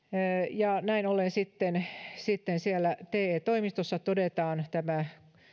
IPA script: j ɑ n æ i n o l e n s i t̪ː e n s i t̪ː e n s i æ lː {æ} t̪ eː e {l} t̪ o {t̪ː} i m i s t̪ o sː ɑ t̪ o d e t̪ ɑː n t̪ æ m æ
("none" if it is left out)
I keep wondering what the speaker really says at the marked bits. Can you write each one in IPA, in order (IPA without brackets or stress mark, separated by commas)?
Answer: æ, none, none